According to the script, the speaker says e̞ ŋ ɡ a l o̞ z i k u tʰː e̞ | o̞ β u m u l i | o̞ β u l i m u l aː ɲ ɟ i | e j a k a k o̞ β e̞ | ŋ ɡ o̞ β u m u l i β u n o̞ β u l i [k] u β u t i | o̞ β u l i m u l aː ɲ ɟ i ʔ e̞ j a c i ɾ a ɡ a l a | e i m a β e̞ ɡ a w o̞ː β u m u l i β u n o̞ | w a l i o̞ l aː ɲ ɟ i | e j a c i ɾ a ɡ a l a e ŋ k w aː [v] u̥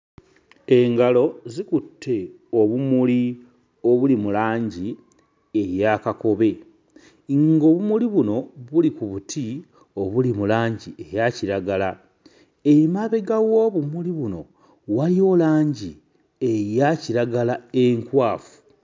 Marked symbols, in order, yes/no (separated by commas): yes, no